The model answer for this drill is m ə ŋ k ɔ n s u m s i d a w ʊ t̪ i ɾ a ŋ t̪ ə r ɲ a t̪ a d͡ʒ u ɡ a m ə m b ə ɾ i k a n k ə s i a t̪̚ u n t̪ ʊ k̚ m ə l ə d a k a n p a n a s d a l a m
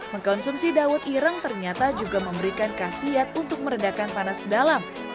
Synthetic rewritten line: m ə ŋ k ɔ n s u m s i d a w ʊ t̪ i ɾ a ŋ t̪ ə r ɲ a t̪ a d͡ʒ u ɡ a m ə m b ə ɾ i k a n k a s i a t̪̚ u n t̪ ʊ k̚ m ə ɾ ə d a k a n p a n a s d a l a m